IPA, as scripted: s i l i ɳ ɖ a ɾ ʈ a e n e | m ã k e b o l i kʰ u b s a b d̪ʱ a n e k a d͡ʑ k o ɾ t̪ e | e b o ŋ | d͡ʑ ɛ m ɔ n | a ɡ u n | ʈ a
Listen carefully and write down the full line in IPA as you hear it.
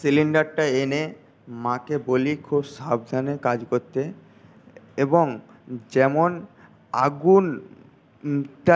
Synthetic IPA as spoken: s i l i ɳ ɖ a ɾ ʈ a e n e | m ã k e b o l i kʰ u b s a b d̪ʱ a n e k a d͡ʑ k o ɾ t̪ e | e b o ŋ | d͡ʑ ɛ m o n | a ɡ u n | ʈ a